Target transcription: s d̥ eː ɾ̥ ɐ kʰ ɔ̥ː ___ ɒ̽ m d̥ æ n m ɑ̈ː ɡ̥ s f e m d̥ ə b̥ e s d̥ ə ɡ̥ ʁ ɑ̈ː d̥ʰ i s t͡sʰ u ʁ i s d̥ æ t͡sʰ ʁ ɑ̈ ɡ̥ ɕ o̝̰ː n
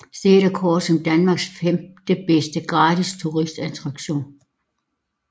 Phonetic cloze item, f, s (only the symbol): s